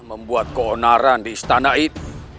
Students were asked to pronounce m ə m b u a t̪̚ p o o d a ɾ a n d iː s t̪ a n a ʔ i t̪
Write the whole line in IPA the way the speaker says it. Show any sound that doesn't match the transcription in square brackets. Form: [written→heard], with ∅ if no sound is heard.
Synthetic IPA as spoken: m ə m b u a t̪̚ [p→k] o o [d→n] a ɾ a n d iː s t̪ a n a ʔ i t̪

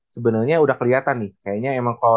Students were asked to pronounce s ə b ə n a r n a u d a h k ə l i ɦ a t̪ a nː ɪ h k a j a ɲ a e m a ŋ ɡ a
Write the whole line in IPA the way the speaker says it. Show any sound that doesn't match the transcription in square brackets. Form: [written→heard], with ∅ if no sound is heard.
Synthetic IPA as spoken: s ə b ə n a r [n→ɲ] a u d a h k ə l i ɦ a t̪ a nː ɪ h k a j a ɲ a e m a ŋ [ɡ→k] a

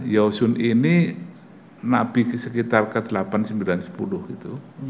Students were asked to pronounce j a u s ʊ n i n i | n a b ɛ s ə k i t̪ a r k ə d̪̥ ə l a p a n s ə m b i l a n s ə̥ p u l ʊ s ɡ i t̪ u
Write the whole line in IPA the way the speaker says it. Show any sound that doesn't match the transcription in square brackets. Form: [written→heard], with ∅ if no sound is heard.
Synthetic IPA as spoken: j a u s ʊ n i n i | n a b [ɛ→i] s ə k i t̪ a r k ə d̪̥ ə l a p a n s ə m b i l a n s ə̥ p u l ʊ [s→h] ɡ i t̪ u

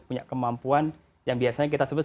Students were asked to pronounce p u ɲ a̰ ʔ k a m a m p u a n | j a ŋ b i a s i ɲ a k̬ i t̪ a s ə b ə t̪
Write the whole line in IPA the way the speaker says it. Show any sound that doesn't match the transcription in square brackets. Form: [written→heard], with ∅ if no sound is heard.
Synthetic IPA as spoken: p u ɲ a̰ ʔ k [a→ə] m a m p u a n | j a ŋ b i a s [i→a] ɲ a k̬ i t̪ a s ə b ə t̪

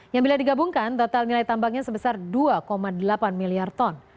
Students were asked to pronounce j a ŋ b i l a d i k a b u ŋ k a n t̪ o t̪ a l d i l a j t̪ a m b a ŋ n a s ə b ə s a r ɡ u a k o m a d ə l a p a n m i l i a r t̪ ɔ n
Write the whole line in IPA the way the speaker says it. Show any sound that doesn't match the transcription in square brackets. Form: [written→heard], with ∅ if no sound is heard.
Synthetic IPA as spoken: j a ŋ b i l a d i [k→ɡ] a b u ŋ k a n t̪ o t̪ a l [d→n] i l a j t̪ a m b a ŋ [n→ɲ] a s ə b ə s a r [ɡ→d] u a k o m a d ə l a p a n m i l i a r t̪ ɔ n

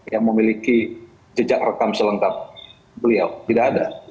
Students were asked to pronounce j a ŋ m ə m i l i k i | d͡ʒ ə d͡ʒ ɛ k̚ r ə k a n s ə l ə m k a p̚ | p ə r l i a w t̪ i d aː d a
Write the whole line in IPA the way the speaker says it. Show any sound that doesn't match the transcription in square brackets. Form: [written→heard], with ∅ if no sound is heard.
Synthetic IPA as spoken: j a ŋ m ə m i l i k i | d͡ʒ ə d͡ʒ [ɛ→a] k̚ r ə k a [n→m] s ə l ə [m→ŋ] k a p̚ | [p→b] ə [r→∅] l i a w t̪ i d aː d a

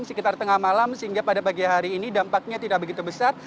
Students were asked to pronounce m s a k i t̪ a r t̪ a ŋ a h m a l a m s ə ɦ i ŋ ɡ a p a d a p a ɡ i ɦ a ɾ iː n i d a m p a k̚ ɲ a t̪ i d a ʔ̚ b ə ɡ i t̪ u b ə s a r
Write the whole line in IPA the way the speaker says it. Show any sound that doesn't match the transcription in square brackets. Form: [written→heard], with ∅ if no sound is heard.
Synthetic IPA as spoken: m s [a→ə] k i t̪ a r t̪ [a→ə] ŋ a h m a l a m s ə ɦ i ŋ ɡ a p a d a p a ɡ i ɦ a ɾ iː n i d a m p a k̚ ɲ a t̪ i d a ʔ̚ b ə ɡ i t̪ u b ə s a r

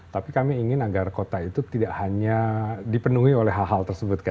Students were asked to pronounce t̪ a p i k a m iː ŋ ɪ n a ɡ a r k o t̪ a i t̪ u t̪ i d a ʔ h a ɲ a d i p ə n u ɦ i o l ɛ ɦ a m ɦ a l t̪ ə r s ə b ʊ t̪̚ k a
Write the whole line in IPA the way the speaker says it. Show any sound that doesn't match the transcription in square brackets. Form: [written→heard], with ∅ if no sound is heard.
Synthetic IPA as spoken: t̪ a p i k a m iː ŋ ɪ n a ɡ a r k o t̪ a i t̪ u t̪ i d a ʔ h a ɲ a d i p ə n u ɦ i o l ɛ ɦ a [m→∅] ɦ a l t̪ ə r s ə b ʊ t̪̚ k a

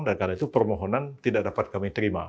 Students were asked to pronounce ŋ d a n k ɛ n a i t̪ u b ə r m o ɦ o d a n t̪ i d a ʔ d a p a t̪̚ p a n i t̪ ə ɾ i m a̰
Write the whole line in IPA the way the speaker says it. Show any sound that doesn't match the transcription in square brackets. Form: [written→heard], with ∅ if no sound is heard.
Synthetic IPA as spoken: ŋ d a n k [ɛ→a] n a i t̪ u [b→p] ə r m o ɦ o [d→n] a n t̪ i d a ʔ d a p a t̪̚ [p→k] a [n→m] i t̪ ə ɾ i m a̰

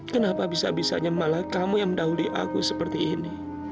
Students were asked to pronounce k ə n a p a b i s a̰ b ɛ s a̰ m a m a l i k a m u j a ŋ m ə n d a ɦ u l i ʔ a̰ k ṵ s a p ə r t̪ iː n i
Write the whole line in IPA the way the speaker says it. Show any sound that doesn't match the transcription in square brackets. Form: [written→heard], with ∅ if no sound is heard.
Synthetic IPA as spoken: k ə n a p a b i s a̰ b [ɛ→i] s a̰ [m→ɲ] a m a l [i→a] k a m u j a ŋ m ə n d a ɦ u l i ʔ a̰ k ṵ s [a→ə] p ə r t̪ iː n i

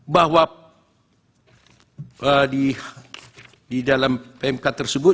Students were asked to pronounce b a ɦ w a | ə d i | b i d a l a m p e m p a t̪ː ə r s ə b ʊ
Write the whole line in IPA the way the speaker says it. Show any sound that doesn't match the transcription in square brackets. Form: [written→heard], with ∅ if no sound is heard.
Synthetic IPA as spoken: b a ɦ w a | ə d i | [b→d] i d a l a m p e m [p→k] a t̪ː ə r s ə b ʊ

